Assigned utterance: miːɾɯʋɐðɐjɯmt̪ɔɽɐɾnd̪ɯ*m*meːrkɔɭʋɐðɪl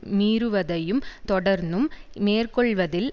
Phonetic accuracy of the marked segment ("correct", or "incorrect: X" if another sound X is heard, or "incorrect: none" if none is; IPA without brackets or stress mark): correct